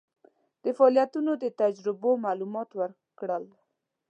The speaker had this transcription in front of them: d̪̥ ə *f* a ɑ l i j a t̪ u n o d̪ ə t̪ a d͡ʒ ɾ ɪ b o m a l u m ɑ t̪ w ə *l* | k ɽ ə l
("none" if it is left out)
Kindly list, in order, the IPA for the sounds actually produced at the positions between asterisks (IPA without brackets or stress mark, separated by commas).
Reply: f, ɾ